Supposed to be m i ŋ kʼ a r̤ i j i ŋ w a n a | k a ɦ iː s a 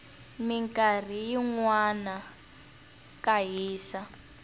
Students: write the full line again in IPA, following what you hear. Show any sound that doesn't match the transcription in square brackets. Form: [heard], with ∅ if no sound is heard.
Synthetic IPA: m i ŋ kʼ a r̤ i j i ŋ w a n a | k a ɦ iː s a